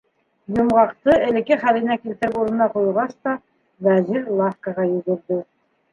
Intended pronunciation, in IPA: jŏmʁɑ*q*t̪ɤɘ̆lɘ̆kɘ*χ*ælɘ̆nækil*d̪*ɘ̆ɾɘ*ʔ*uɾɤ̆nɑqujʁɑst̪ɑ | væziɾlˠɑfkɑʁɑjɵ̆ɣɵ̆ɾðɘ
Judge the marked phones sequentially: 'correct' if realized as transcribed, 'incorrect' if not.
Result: correct, correct, incorrect, incorrect

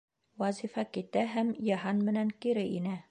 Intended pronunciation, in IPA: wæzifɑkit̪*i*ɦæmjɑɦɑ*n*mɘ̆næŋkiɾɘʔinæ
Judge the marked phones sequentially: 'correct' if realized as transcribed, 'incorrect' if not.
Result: incorrect, correct

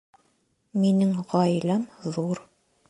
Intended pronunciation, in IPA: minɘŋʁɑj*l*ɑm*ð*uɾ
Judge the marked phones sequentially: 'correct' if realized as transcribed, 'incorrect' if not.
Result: correct, correct

